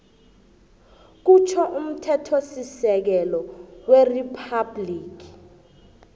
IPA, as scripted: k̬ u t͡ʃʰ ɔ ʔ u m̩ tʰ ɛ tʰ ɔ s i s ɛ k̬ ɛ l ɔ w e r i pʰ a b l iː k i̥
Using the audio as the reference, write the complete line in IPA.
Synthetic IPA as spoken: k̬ u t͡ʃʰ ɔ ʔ u m̩ tʰ ɛ tʰ o s i s ɛ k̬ ɛ l ɔ w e r i pʰ a b l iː k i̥